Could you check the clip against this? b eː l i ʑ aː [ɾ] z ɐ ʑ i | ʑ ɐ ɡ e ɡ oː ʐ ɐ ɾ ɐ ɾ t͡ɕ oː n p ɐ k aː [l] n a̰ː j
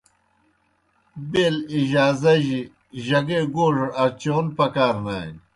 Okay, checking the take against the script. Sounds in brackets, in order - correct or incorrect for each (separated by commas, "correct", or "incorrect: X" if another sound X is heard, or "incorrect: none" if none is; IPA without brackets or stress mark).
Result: incorrect: none, incorrect: ɾ